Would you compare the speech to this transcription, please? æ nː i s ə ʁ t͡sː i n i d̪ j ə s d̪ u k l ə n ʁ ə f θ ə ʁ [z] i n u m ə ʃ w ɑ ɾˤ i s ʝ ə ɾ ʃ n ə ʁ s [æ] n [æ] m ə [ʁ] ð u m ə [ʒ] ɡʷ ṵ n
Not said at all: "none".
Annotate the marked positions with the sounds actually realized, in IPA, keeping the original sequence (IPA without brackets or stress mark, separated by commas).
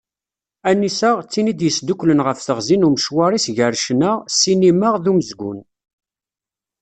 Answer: z, i, i, ʁ, z